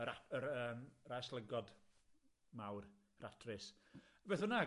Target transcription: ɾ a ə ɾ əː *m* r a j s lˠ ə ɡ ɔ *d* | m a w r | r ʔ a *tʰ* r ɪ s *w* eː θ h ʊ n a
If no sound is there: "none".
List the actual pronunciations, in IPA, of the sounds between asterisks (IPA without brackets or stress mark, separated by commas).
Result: m, d, tʰ, b